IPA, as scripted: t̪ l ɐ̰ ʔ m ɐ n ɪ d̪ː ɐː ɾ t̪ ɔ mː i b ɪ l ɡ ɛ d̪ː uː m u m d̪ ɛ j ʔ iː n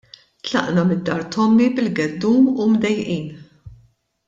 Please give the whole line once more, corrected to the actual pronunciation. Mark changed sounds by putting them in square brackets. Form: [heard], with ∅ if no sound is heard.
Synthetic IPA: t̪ l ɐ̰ ʔ [n] ɐ [m] ɪ d̪ː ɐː ɾ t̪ ɔ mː i b ɪ l ɡ ɛ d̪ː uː m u m d̪ ɛ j ʔ iː n